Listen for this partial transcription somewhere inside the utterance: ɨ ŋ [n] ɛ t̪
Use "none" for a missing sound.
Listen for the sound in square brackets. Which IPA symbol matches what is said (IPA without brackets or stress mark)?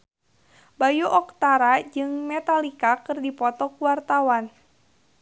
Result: m